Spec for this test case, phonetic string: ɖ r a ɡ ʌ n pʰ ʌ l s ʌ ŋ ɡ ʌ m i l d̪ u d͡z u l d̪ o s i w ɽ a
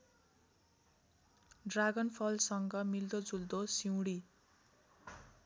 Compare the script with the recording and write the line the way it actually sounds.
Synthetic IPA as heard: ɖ r a ɡ ʌ n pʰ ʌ l s ʌ ŋ ɡ ʌ m i l d̪ o d͡z u l d̪ o s i w ɽ i